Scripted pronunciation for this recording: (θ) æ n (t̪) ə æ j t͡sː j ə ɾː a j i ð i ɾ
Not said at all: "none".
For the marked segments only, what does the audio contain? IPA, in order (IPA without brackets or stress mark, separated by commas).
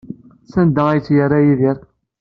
s, d̪